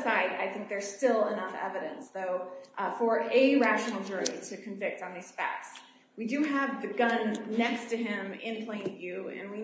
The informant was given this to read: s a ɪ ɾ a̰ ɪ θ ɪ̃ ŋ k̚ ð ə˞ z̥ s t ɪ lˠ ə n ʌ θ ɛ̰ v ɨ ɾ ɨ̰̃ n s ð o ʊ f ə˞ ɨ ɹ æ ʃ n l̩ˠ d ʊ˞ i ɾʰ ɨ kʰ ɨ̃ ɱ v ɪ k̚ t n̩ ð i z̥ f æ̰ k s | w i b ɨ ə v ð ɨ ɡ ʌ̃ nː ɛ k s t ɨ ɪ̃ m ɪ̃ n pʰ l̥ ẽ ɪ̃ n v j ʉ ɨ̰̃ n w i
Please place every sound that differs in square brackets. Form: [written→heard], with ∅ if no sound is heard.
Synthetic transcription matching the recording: s a ɪ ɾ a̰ ɪ θ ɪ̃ ŋ k̚ ð ə˞ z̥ s t ɪ lˠ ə n ʌ [θ→f] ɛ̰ v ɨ ɾ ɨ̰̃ n s ð o ʊ f ə˞ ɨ ɹ æ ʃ n l̩ˠ [d→d͡ʒ] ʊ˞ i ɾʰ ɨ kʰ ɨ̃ ɱ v ɪ k̚ t n̩ ð i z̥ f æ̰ k s | w i [b→d] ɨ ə v ð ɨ ɡ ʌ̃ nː ɛ k s t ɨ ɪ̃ m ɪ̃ n pʰ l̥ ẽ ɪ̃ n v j ʉ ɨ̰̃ n w i

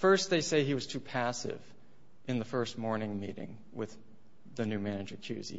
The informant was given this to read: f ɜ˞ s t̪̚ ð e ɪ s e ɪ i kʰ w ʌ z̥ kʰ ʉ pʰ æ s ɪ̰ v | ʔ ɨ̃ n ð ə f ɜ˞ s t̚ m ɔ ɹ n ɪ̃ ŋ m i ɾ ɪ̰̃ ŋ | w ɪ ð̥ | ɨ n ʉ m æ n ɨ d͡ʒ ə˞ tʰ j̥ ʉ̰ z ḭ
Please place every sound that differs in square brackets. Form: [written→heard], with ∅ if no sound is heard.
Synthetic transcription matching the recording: f ɜ˞ s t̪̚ ð e ɪ s e ɪ i [kʰ→∅] w ʌ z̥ [kʰ→tʰ] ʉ pʰ æ s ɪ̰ v | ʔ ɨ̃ n ð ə f ɜ˞ s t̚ m ɔ ɹ n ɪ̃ ŋ m i ɾ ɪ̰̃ ŋ | w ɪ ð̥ | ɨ n ʉ m æ n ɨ d͡ʒ ə˞ [tʰ→kʰ] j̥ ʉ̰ z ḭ

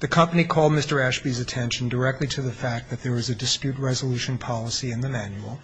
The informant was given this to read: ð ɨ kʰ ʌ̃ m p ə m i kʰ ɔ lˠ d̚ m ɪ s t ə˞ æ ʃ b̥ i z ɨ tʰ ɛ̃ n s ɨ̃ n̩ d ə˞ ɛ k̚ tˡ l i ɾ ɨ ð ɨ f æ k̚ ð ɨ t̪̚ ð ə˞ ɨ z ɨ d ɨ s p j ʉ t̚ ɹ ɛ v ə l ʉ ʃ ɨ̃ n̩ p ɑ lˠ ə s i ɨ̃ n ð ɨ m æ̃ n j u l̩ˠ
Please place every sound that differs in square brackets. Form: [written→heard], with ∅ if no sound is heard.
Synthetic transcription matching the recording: ð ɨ kʰ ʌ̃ m p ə [m→n] i kʰ ɔ lˠ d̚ m ɪ s t ə˞ æ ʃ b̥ i z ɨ tʰ ɛ̃ n [s→ʃ] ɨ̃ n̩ d ə˞ ɛ k̚ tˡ l i ɾ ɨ ð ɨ f æ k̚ ð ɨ t̪̚ ð ə˞ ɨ z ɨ d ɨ s p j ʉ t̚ ɹ ɛ [v→z] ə l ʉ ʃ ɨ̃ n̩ [p→pʰ] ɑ lˠ ə s i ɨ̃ n ð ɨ m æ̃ n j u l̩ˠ

